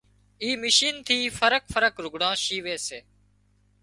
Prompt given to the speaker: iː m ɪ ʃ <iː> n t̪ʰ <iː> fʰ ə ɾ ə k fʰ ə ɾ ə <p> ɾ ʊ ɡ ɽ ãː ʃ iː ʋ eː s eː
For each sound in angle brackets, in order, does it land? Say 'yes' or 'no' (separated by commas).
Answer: yes, yes, no